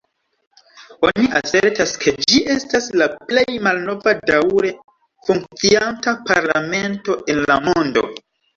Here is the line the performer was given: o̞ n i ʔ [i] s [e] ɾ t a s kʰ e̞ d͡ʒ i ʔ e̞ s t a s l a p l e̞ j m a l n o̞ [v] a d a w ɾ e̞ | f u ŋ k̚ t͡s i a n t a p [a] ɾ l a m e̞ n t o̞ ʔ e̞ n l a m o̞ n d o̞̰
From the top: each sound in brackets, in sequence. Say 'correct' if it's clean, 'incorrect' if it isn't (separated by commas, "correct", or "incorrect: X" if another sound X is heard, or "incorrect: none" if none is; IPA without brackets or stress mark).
incorrect: a, correct, correct, correct